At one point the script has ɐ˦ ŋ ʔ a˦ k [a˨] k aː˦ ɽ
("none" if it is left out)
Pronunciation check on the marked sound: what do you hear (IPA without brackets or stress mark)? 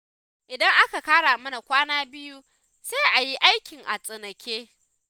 a˨